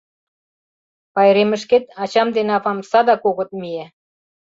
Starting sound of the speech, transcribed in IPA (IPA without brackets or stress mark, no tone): p